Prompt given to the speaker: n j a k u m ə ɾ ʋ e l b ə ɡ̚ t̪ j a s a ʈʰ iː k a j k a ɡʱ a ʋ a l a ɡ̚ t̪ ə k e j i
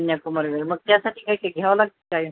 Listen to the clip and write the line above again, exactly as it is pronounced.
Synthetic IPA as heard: n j a k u m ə ɾ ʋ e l m ə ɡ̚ t̪ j a s a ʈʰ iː k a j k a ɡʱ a ʋ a l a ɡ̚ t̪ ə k a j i